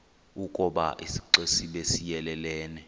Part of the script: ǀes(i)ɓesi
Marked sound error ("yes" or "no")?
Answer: no